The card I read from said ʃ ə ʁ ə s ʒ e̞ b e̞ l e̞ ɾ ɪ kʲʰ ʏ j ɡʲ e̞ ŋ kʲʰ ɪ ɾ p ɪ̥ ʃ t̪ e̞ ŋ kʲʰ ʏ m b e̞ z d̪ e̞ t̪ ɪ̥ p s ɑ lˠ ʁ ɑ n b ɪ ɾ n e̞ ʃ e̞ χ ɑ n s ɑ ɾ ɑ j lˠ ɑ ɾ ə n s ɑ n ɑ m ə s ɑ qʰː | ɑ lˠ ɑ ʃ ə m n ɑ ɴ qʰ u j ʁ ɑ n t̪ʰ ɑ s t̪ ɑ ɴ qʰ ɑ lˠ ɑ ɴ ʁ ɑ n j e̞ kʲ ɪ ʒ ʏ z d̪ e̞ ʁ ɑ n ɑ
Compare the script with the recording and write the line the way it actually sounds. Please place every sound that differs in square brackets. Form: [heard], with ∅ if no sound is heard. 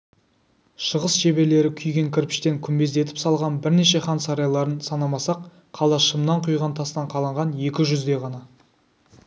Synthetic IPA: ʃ ə ʁ ə s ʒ e̞ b e̞ l e̞ ɾ ɪ kʲʰ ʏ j ɡʲ e̞ ŋ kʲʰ ɪ ɾ p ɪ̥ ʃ t̪ e̞ ŋ kʲʰ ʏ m b e̞ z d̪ e̞ t̪ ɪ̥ p s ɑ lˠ ʁ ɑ n b ɪ ɾ n e̞ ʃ e̞ χ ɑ n s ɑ ɾ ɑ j lˠ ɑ ɾ ə n s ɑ n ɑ m [ɑ] s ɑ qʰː | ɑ lˠ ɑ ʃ ə m n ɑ ɴ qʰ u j ʁ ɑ n t̪ʰ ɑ s t̪ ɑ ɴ qʰ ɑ lˠ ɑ ɴ ʁ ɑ n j e̞ kʲ ɪ ʒ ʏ z d̪ e̞ ʁ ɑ n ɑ